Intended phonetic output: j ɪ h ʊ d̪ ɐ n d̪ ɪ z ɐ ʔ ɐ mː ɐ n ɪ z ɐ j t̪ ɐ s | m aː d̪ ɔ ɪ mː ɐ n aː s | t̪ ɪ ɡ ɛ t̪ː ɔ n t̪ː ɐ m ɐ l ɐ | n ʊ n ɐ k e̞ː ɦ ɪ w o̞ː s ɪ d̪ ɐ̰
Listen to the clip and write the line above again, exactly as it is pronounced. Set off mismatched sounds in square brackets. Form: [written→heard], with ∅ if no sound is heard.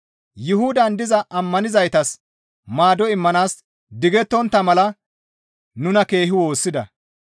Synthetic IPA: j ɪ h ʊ d̪ ɐ n d̪ ɪ z ɐ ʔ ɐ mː ɐ n ɪ z ɐ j t̪ ɐ s | m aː d̪ ɔ ɪ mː ɐ n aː s | [t̪→d̪] ɪ ɡ ɛ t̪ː ɔ n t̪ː ɐ m ɐ l ɐ | n ʊ n ɐ k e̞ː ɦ ɪ w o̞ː [s→sː] ɪ d̪ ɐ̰